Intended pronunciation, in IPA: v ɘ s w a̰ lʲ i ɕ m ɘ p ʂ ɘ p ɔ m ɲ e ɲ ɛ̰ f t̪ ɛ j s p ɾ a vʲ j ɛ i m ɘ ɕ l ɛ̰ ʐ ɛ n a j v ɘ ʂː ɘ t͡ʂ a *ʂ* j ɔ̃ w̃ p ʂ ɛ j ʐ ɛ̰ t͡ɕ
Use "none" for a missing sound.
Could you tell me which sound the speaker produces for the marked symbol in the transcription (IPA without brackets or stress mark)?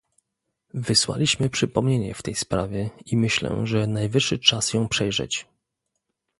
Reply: s